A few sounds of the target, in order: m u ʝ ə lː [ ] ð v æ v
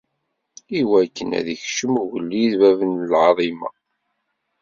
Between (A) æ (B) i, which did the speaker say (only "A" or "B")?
B